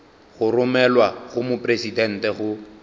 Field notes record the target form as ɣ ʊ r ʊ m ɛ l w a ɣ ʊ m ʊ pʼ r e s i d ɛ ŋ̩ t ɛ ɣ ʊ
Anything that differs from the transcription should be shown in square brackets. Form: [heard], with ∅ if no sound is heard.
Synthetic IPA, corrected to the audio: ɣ ʊ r ʊ m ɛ l w a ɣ ʊ m ʊ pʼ r e s i d ɛ [n̩] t ɛ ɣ ʊ